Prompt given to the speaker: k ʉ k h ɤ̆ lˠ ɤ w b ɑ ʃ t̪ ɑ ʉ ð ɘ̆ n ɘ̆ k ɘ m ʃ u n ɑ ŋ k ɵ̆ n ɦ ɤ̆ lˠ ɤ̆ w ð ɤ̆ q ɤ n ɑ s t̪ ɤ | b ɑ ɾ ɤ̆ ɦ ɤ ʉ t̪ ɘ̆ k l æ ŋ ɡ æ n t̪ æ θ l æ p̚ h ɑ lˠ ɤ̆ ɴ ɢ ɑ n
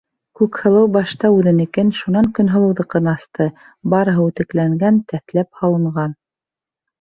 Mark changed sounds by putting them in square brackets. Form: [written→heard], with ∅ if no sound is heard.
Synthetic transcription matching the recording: k ʉ k h ɤ̆ lˠ ɤ w b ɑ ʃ t̪ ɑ ʉ ð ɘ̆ n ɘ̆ k ɘ [m→n] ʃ u n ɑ ŋ k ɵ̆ n ɦ ɤ̆ lˠ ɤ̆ w ð ɤ̆ q ɤ n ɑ s t̪ ɤ | b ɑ ɾ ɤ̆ ɦ ɤ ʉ t̪ ɘ̆ k l æ ŋ ɡ æ n t̪ æ θ l æ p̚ h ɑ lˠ ɤ̆ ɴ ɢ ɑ n

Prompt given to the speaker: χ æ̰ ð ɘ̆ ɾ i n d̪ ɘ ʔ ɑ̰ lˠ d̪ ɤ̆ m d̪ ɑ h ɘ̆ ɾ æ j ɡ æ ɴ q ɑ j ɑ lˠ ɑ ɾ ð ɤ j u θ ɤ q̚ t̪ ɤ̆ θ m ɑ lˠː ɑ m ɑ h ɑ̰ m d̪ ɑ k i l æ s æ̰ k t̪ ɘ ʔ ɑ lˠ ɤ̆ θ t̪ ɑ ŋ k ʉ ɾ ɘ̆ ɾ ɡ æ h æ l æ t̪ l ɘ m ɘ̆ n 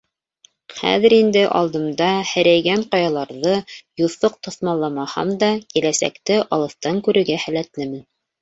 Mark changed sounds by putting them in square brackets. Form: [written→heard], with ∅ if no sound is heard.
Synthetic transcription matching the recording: χ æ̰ ð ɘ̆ ɾ i n d̪ ɘ ʔ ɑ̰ lˠ d̪ ɤ̆ m d̪ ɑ h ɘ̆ ɾ æ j ɡ æ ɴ q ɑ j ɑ lˠ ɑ ɾ ð ɤ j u θ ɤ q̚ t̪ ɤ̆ θ m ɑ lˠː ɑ m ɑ h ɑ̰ m d̪ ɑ k i l æ s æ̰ k t̪ ɘ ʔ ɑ lˠ ɤ̆ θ t̪ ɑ ŋ k ʉ ɾ ɘ̆ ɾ ɡ æ h æ l æ t̪ l ɘ m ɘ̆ n

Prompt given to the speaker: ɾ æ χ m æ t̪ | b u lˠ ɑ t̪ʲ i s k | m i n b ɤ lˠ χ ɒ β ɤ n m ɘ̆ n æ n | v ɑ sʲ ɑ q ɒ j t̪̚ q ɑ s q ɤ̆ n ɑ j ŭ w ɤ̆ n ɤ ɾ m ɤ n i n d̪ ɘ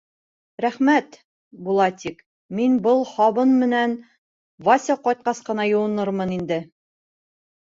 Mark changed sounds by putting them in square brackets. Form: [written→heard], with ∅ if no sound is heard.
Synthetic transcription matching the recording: ɾ æ χ m æ t̪ | b u lˠ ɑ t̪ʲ i [s→∅] k | m i n b ɤ lˠ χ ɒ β ɤ n m ɘ̆ n æ n | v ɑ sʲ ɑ q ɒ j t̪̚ q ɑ s q ɤ̆ n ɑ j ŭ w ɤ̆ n ɤ ɾ m ɤ n i n d̪ ɘ

